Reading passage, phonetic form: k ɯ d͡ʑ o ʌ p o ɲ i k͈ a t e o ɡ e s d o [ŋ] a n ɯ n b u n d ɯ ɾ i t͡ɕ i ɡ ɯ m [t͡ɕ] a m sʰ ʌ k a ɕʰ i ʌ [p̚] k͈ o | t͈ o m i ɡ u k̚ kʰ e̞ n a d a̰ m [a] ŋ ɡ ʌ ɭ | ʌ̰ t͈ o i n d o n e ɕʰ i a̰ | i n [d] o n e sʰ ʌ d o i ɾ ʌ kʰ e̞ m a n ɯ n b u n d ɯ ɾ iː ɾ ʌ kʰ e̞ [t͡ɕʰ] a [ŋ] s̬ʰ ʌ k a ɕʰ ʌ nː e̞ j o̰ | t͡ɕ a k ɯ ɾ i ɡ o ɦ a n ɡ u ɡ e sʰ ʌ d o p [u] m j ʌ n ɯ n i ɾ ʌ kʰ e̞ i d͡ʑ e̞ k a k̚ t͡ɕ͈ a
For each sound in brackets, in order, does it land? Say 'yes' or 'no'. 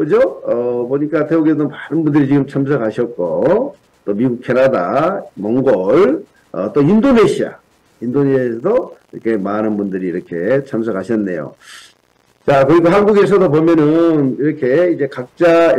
no, no, no, no, yes, yes, no, no

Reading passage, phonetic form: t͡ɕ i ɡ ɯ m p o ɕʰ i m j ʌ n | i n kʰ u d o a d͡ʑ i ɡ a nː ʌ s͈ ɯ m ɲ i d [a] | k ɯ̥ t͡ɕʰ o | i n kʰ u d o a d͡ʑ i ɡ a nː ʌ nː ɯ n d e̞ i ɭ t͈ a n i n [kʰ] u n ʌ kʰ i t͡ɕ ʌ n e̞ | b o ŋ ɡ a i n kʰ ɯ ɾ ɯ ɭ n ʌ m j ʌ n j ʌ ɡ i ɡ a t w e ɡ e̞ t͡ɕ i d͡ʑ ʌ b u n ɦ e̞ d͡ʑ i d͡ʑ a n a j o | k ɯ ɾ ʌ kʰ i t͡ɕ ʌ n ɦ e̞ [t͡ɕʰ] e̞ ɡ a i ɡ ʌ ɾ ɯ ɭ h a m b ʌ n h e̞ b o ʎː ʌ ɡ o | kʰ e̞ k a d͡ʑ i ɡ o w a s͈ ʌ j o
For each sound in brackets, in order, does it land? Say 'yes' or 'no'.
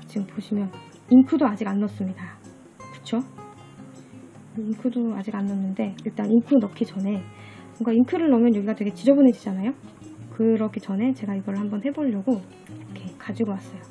yes, yes, no

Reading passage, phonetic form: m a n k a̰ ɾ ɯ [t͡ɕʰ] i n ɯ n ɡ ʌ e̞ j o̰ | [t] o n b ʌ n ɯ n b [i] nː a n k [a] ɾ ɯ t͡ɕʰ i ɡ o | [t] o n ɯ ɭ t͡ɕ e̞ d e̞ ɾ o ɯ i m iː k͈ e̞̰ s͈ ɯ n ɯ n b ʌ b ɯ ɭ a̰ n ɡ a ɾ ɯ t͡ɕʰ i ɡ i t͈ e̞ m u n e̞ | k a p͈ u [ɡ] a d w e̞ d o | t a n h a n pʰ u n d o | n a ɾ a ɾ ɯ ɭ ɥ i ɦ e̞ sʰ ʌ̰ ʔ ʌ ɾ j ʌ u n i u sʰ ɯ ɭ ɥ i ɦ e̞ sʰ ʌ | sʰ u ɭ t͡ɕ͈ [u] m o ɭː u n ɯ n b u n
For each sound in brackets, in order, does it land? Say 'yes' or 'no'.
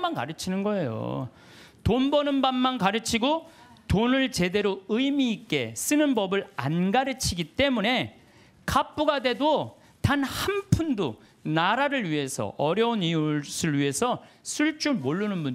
yes, yes, no, yes, yes, yes, yes

